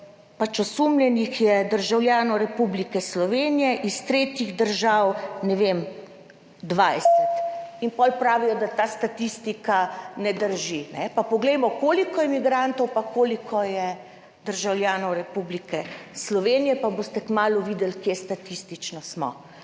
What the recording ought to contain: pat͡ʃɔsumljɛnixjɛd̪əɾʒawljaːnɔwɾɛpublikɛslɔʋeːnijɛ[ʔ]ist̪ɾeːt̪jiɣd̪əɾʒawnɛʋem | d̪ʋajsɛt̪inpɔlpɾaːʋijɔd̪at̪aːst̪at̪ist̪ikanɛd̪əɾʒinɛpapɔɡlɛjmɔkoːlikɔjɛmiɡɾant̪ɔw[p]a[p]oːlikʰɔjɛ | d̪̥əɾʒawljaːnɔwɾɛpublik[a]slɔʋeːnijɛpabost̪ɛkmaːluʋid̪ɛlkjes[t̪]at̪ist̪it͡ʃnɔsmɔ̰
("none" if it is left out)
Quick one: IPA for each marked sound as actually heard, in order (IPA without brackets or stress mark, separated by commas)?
ʔ, p, k, ɛ, t̪